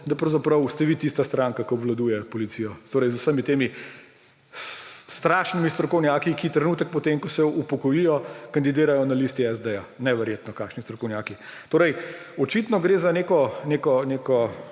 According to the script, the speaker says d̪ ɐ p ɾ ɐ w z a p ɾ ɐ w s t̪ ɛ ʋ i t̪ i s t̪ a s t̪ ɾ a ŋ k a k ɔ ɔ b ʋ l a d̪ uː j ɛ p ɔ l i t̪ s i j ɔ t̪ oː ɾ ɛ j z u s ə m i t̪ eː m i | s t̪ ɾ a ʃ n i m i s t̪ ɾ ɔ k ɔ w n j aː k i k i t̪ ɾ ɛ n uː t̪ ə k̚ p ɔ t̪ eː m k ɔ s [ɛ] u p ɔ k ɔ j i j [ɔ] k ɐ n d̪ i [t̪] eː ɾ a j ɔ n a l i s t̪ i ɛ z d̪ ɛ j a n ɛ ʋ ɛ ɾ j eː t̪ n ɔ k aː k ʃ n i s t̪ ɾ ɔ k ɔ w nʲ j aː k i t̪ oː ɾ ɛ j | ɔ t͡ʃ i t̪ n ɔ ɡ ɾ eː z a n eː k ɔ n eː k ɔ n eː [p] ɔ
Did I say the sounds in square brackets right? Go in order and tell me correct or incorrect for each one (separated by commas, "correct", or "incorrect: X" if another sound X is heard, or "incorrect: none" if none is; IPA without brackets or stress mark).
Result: correct, correct, incorrect: d̪, incorrect: k